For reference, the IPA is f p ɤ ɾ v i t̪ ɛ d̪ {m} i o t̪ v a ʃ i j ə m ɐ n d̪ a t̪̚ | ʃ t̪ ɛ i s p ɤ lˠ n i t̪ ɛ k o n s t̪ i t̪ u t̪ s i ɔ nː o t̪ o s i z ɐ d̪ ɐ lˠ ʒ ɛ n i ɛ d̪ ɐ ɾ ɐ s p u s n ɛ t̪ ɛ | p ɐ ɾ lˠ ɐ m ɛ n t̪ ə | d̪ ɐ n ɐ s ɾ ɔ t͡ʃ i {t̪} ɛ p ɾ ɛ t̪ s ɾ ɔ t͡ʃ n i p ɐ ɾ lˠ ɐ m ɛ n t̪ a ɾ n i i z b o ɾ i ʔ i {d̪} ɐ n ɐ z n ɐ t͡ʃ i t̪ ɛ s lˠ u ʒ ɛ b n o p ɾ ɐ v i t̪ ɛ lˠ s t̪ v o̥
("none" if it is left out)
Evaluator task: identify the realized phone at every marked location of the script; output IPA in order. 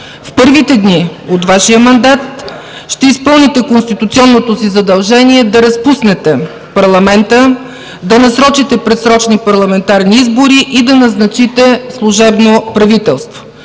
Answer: n, t̪, d̪

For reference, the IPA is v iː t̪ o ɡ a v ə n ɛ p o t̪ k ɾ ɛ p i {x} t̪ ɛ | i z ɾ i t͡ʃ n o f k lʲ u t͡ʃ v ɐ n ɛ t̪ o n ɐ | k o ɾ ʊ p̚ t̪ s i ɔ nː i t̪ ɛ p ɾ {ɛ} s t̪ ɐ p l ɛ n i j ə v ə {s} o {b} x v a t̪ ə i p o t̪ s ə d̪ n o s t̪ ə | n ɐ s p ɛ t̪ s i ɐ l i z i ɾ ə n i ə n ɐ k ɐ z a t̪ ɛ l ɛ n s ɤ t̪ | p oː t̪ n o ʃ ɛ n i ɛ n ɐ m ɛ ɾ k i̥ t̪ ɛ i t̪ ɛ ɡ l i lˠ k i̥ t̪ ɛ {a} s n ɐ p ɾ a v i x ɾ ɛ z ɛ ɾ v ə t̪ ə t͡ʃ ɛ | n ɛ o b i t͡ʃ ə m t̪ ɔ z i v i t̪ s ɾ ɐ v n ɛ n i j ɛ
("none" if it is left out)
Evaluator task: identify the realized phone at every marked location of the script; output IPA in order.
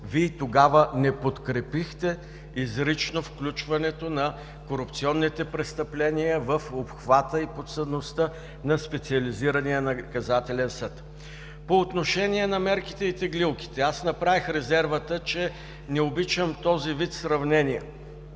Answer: x, ɛ, f, p, a

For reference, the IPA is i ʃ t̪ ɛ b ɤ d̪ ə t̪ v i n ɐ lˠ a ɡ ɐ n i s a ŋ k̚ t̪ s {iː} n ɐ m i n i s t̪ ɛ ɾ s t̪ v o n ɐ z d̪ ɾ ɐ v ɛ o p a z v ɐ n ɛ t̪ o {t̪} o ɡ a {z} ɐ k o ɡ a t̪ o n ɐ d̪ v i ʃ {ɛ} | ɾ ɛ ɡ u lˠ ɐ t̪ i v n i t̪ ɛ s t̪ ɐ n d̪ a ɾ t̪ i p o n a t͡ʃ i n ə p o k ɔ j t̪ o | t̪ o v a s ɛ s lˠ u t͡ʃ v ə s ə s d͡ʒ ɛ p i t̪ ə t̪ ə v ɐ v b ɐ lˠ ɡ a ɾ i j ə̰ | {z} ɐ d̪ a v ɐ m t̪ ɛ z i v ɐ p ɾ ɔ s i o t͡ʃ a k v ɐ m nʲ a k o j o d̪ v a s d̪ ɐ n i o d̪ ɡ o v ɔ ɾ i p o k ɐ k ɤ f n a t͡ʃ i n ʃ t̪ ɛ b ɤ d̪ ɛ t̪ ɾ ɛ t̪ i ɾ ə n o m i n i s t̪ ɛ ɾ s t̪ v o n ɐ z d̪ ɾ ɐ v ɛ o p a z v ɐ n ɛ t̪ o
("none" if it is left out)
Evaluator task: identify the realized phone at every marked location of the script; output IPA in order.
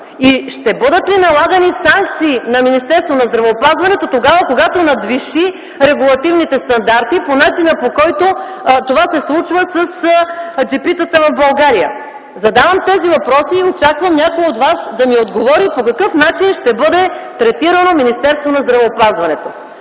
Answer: iː, t̪, v, i, z

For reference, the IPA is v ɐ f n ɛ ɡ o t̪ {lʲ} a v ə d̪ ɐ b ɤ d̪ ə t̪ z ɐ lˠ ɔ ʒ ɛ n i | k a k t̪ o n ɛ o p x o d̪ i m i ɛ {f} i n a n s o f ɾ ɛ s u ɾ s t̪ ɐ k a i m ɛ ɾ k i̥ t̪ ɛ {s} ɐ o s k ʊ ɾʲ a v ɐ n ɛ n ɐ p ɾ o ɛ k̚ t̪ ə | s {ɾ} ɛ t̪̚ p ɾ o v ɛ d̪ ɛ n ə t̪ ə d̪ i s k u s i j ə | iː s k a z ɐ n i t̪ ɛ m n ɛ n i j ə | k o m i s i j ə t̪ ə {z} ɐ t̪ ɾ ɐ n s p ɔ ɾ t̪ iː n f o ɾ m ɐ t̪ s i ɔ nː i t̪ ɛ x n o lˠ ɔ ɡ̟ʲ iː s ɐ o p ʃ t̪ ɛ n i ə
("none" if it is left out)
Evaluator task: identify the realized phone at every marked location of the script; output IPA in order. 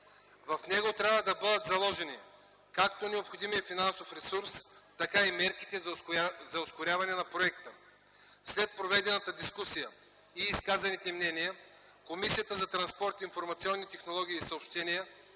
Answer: ɾʲ, f, z, l, z

